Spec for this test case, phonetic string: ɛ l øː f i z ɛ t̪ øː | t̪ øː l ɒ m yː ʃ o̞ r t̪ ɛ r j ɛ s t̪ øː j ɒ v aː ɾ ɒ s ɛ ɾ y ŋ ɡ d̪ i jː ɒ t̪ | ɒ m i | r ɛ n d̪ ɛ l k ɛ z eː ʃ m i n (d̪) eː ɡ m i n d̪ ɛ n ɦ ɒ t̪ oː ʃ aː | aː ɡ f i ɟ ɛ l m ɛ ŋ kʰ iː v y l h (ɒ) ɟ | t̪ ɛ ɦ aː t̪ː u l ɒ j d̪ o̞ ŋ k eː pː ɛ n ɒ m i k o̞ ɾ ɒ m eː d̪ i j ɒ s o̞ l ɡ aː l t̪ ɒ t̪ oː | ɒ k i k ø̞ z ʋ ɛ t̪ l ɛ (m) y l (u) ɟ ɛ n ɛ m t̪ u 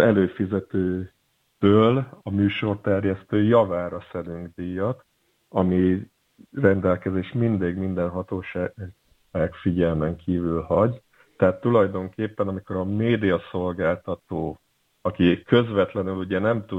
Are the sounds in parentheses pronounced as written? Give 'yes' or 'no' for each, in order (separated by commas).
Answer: yes, yes, no, yes